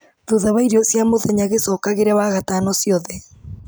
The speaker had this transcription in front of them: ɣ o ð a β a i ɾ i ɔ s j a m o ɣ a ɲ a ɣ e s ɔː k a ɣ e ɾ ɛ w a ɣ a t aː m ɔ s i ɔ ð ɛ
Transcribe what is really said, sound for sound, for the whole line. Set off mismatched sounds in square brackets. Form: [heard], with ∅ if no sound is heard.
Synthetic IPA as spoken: [ð] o ð a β a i ɾ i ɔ s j a m o [ð] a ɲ a ɣ e s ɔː k a ɣ e ɾ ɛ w a ɣ a t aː [n] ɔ s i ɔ ð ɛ